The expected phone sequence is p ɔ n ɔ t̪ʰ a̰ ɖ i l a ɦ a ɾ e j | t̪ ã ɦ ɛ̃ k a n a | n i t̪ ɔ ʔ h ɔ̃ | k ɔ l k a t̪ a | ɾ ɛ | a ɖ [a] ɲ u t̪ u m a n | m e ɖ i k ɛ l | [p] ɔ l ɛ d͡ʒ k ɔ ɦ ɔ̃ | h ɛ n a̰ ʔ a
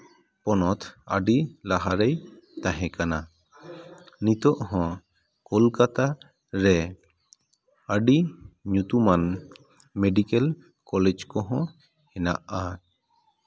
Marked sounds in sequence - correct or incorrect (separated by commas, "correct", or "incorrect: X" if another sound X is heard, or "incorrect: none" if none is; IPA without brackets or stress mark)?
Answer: incorrect: i, incorrect: k